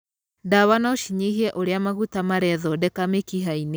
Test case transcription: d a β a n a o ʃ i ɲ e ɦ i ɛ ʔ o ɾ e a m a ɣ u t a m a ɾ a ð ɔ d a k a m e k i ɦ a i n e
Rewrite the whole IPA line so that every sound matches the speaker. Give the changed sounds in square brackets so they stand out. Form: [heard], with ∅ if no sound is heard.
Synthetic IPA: d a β a n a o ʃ i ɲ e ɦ i ɛ ʔ o ɾ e a m a ɣ u t a m a ɾ [ɛ] ð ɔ d [ɛ] k a m e k i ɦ a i n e